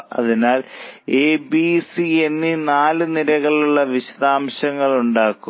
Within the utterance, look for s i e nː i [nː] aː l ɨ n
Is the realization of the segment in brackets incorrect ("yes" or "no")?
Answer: yes